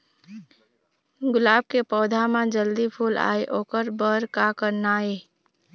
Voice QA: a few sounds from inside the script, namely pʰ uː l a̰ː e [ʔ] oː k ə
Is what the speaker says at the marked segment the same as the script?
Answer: yes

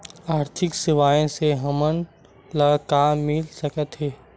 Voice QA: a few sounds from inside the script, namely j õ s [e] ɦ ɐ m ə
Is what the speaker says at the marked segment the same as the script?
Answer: yes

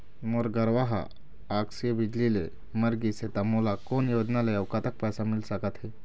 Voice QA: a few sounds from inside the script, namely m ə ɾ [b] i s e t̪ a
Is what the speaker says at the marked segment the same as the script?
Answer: no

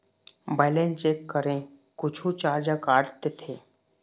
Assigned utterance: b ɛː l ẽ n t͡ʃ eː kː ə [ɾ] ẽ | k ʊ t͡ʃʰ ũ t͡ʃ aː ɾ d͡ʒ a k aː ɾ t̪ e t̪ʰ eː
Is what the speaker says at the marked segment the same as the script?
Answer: yes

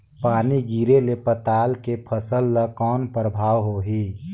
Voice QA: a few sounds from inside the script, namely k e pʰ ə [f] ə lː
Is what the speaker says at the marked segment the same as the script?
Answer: no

